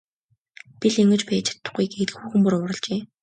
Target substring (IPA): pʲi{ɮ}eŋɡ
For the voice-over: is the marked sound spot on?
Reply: yes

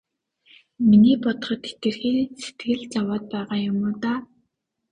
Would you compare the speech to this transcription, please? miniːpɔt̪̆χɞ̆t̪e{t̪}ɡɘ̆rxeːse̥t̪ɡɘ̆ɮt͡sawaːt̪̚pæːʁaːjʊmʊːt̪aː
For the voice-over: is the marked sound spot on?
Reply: yes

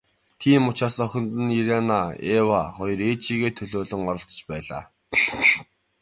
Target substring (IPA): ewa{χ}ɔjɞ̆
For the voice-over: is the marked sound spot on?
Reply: yes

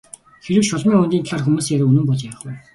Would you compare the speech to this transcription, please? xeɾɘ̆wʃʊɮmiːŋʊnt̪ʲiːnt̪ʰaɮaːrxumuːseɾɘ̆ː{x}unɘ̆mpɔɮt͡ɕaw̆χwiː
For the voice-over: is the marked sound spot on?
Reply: no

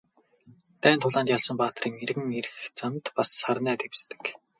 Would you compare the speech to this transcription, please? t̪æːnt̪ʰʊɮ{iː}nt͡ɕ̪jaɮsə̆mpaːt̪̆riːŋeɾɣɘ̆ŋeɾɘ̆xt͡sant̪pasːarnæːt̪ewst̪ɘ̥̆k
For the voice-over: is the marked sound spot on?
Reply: no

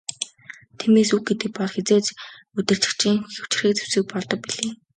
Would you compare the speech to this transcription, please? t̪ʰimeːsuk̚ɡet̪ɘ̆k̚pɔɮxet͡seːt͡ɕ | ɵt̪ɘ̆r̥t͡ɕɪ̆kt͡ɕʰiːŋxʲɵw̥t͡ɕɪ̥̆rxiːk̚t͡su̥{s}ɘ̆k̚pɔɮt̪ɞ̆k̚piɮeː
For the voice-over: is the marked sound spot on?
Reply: yes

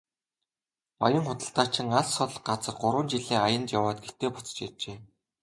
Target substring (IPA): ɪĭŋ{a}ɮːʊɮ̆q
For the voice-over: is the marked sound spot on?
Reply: yes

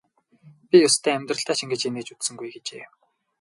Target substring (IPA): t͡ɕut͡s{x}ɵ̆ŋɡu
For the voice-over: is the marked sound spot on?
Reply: no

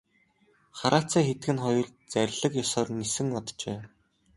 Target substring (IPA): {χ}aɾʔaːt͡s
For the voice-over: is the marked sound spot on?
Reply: yes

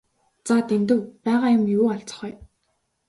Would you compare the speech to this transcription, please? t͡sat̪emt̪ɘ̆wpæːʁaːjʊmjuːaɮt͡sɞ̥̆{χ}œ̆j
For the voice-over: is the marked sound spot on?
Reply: yes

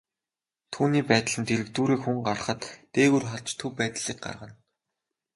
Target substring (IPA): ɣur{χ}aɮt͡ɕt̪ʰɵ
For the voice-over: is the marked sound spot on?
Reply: yes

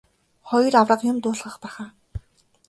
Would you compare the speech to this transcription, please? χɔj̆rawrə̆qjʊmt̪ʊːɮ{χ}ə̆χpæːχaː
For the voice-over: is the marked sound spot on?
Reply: no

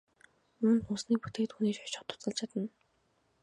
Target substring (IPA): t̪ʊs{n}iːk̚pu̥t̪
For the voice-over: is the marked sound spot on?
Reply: yes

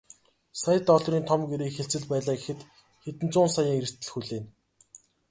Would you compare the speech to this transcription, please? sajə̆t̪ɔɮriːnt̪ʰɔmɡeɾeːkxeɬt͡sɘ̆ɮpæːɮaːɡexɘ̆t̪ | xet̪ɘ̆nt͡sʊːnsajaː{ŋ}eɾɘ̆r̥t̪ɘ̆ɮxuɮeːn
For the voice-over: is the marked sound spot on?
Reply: yes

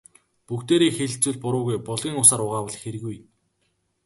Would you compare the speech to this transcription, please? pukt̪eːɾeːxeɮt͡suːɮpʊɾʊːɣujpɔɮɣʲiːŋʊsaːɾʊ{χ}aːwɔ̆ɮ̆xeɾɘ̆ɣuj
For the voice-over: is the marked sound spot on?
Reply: no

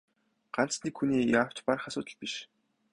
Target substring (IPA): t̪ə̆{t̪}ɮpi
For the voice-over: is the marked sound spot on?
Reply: no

